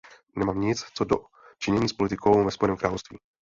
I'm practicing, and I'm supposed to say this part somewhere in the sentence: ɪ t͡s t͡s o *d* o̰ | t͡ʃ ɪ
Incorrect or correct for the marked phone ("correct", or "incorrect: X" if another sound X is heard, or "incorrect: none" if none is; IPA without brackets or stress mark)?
correct